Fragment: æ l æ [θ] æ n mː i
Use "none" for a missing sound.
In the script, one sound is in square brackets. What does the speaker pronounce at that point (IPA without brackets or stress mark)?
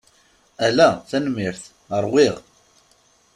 θ